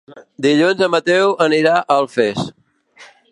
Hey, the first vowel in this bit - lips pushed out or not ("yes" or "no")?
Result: no